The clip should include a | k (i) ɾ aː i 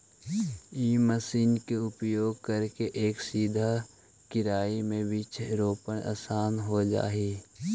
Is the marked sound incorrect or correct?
incorrect: ɪ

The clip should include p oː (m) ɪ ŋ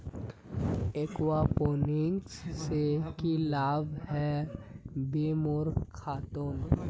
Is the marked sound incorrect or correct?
incorrect: n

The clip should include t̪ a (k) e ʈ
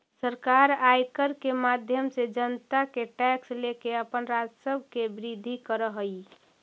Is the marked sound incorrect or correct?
correct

